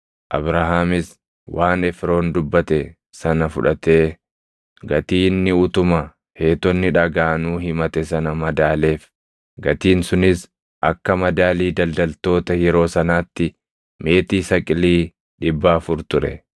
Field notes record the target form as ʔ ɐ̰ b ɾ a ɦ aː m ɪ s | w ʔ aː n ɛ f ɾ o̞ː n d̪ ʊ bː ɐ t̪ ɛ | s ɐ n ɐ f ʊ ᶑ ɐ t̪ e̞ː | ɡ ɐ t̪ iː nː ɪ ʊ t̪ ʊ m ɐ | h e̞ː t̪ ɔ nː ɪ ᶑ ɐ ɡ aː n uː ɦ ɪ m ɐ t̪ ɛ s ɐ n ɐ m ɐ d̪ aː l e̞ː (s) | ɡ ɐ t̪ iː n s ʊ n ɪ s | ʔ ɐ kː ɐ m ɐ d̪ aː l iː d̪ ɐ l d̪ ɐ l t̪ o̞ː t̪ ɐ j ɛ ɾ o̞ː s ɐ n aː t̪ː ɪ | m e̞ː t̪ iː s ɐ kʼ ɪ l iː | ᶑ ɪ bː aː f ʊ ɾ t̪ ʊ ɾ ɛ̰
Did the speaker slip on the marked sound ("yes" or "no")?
yes